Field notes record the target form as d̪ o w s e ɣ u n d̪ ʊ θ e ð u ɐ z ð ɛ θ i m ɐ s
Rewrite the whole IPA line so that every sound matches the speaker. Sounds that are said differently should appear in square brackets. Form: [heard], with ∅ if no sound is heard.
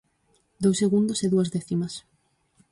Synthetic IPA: d̪ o w s e ɣ u n d̪ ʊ [s] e ð u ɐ z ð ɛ θ i m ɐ s